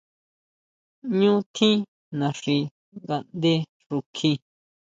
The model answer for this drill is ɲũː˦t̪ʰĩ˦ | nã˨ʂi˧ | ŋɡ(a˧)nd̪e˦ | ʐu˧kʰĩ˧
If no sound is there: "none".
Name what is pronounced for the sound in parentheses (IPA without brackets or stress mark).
a˧